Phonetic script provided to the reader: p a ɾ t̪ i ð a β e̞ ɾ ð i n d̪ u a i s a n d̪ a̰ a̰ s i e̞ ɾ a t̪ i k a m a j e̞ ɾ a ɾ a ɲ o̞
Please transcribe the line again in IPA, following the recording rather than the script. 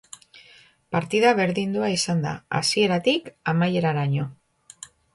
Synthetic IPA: p a ɾ t̪ i ð a β e̞ ɾ ð i n d̪ u a i s a n d̪ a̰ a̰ s i e̞ ɾ a t̪ i k a m a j e̞ ɾ a ɾ a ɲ o̞